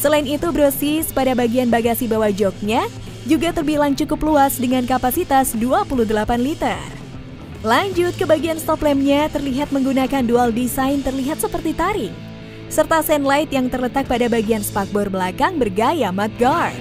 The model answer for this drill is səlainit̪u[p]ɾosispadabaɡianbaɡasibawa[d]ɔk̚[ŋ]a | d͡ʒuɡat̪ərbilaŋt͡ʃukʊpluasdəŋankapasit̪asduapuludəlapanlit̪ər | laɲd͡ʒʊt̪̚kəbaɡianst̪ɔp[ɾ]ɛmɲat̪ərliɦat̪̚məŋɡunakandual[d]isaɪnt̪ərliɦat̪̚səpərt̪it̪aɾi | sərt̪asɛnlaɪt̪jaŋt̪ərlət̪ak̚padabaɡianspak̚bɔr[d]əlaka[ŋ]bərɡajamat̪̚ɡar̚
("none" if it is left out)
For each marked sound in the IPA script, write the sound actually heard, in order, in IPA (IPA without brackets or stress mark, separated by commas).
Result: b, d͡ʒ, ɲ, l, d, b, ŋ